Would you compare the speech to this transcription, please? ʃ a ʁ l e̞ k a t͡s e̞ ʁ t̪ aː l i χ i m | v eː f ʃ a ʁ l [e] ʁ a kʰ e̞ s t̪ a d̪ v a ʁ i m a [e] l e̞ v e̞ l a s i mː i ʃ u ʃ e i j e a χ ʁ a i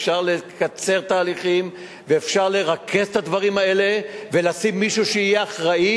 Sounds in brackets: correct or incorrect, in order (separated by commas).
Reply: correct, correct